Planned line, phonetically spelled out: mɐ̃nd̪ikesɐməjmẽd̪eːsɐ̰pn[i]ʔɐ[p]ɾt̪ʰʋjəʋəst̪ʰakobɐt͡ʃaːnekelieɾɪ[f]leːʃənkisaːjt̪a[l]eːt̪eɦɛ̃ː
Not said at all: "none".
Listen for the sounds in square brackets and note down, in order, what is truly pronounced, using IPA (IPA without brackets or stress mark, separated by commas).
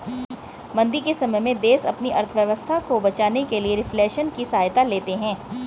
i, none, f, l